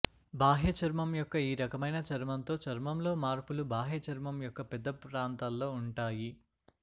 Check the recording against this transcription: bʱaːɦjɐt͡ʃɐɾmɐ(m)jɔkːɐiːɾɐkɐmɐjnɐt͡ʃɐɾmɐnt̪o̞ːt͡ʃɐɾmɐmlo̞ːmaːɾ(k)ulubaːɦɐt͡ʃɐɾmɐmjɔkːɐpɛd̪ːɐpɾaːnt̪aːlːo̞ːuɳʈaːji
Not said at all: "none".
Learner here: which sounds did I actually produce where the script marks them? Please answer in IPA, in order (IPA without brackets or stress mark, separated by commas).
m, p